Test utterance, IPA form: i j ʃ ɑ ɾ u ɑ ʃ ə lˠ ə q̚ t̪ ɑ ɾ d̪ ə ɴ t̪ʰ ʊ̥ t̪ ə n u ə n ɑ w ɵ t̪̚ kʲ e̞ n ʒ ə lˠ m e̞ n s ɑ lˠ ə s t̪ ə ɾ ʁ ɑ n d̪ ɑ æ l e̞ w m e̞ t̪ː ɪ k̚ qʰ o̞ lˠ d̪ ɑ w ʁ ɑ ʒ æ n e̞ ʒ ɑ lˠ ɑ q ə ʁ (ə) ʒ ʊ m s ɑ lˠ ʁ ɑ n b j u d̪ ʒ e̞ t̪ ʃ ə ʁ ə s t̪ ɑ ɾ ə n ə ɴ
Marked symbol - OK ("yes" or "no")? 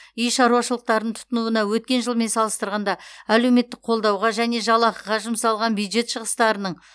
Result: no